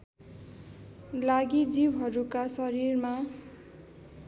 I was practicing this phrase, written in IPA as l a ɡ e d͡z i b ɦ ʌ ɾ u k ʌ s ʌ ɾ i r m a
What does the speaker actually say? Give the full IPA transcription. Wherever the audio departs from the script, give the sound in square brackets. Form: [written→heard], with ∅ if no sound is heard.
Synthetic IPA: l a ɡ [e→i] d͡z i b ɦ ʌ ɾ u k [ʌ→a] s ʌ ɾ i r m a